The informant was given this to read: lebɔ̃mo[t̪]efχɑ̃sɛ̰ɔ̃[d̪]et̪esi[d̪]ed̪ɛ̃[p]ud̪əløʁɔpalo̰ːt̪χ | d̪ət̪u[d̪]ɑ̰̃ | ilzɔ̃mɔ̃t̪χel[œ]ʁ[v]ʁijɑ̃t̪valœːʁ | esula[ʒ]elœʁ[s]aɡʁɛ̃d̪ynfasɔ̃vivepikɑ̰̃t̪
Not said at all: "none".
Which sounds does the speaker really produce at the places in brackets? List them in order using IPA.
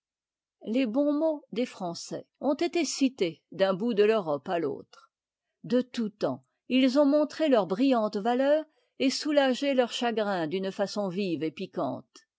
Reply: d̪, t̪, t̪, b, t̪, œ, b, ʒ, ʃ

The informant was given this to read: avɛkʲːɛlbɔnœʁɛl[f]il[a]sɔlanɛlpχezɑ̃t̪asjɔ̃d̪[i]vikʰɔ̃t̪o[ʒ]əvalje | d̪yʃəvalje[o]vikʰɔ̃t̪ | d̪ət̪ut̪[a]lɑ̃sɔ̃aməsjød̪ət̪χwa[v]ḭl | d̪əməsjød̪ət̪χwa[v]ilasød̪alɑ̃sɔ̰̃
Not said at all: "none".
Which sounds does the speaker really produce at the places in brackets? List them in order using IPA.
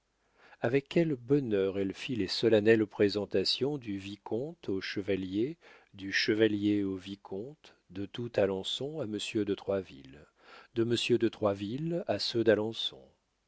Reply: f, e, y, ʃ, o, a, v, v

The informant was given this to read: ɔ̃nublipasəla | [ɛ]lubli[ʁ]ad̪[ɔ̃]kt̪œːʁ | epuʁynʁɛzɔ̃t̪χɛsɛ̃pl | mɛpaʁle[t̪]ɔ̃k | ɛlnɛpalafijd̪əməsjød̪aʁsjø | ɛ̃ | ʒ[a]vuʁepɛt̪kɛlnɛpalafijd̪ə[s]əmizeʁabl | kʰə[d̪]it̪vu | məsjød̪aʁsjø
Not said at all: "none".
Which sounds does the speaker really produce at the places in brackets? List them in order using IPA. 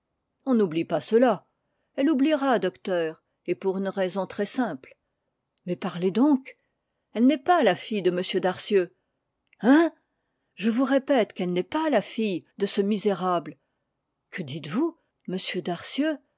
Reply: ɛ, ʁ, ɔ, d̪, ə, s, d̪

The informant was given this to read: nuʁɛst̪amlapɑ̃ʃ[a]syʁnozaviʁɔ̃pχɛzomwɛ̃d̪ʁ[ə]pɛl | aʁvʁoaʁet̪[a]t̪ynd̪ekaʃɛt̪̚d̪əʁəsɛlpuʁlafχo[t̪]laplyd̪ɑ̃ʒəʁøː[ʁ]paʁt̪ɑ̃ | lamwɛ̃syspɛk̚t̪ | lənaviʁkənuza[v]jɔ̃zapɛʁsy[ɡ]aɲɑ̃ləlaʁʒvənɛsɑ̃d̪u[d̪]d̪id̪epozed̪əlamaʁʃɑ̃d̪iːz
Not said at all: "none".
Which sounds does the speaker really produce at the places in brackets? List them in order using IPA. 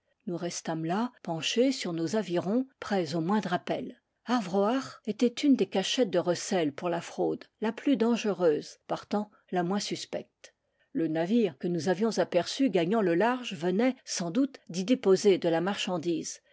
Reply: e, a, ɛ, d̪, z, v, ɡ, t̪

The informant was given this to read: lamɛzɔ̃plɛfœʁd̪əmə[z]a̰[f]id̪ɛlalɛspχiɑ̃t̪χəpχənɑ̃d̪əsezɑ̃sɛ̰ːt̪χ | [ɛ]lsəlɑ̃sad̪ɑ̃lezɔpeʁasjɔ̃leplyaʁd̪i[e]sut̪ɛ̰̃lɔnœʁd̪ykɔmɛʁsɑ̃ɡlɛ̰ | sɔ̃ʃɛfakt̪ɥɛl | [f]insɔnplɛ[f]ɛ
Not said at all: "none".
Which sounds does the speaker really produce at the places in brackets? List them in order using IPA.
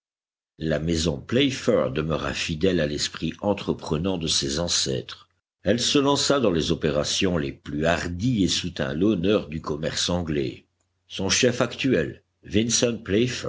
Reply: ʁ, f, ɛ, e, v, f

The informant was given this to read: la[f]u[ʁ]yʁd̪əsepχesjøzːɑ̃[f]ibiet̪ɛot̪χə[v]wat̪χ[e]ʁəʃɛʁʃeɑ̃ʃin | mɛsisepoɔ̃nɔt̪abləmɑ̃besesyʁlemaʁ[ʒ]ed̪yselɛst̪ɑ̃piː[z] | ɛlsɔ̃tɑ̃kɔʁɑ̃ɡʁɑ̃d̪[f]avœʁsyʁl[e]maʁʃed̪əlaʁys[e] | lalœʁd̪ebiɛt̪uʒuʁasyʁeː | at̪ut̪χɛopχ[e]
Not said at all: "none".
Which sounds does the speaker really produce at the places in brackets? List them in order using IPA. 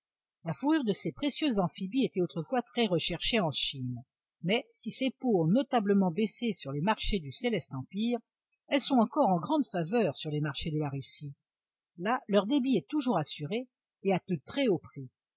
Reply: f, ʁ, f, f, ɛ, ʃ, ʁ, f, e, i, i

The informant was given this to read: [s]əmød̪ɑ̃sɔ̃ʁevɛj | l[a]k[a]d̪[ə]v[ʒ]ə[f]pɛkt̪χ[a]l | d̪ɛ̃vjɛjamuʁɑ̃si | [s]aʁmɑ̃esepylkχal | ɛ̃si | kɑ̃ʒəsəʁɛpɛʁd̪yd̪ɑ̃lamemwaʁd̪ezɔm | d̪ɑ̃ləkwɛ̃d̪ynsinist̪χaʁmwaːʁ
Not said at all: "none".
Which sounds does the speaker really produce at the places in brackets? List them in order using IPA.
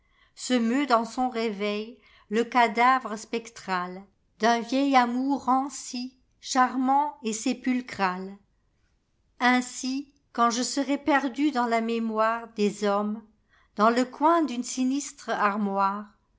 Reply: s, ə, a, a, ʁ, s, a, ʃ

